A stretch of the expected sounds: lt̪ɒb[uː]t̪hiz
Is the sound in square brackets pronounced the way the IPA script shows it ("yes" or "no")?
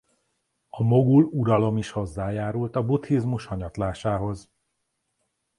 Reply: no